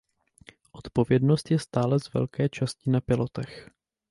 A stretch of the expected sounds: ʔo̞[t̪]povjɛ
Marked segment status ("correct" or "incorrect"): correct